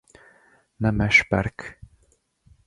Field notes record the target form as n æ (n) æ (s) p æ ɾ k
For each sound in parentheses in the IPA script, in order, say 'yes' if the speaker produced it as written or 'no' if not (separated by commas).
no, no